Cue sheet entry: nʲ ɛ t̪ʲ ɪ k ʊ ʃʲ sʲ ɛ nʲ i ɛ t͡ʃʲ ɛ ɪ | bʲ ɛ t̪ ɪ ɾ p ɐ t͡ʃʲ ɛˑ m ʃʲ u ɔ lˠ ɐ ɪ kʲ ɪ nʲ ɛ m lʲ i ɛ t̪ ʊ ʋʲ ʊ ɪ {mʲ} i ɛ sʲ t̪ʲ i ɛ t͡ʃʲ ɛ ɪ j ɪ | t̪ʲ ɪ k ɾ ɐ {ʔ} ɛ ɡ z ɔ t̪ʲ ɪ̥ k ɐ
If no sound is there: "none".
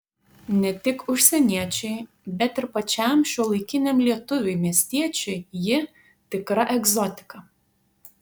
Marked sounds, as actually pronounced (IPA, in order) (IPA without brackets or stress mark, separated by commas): mʲ, ʔ